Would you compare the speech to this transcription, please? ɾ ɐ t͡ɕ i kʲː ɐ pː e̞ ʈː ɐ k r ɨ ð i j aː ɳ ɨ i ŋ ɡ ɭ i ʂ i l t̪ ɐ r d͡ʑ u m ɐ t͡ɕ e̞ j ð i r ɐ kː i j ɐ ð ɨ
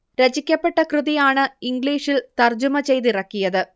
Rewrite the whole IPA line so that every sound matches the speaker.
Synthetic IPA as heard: ɾ ɐ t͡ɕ i kʲː ɐ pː e̞ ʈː ɐ k r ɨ ð i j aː ɳ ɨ i ŋ ɡ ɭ iː ʂ i l t̪ ɐ r d͡ʑ u m ɐ t͡ɕ e̞ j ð i r ɐ kː i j ɐ ð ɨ